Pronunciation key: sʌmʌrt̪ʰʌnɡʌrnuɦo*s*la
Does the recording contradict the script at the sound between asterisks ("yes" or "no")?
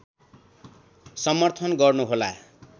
yes